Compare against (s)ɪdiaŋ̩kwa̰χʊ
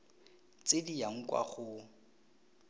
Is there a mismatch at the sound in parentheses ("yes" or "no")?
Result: yes